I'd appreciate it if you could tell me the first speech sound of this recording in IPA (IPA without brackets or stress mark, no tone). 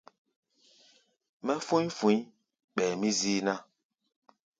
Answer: m